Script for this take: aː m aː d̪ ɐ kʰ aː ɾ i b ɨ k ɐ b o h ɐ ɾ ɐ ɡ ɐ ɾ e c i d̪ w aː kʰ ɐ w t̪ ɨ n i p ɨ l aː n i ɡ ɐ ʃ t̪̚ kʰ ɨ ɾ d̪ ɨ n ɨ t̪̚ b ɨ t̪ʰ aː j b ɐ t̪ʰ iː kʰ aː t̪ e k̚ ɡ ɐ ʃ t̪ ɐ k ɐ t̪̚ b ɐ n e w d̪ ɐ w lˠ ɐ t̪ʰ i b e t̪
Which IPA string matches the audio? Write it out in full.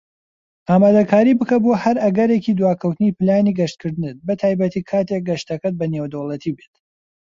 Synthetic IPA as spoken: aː m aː d̪ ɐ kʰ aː ɾ i b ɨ k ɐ b o h ɐ ɾ ɐ ɡ ɐ ɾ e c i d̪ w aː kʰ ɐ w t̪ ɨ n i p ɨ l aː n i ɡ ɐ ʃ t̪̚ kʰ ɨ ɾ d̪ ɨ n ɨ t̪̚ b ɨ t̪ʰ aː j b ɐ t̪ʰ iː kʰ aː t̪ e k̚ ɡ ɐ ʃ t̪ ɐ k ɐ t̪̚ b ɐ n e w d̪ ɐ w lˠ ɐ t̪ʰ i b e t̪